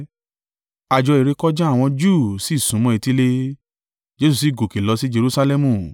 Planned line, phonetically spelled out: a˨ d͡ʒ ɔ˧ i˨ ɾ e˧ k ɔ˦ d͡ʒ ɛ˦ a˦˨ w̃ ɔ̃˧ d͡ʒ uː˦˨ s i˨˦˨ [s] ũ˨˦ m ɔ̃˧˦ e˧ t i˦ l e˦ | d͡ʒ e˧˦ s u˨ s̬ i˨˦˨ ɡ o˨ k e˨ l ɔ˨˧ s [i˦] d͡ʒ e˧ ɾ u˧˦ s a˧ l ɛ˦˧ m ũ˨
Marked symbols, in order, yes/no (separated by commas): yes, yes